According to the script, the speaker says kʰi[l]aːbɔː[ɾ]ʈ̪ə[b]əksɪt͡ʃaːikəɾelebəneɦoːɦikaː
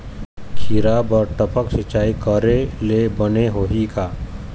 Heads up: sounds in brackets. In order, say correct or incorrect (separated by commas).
incorrect, correct, incorrect